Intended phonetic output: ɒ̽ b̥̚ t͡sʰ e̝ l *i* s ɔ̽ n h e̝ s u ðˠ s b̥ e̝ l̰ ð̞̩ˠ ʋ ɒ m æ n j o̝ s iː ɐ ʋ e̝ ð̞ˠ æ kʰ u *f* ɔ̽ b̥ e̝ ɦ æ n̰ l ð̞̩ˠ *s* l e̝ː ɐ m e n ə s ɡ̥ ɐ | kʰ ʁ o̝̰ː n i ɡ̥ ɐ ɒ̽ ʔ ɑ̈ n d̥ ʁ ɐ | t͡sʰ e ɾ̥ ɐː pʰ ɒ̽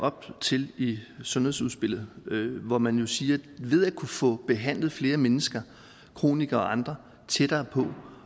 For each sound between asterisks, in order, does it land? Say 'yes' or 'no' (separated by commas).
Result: yes, yes, no